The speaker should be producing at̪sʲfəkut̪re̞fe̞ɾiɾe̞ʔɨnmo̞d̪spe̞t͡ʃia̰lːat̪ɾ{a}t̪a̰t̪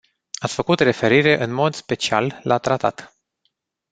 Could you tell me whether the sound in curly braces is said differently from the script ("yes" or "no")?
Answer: no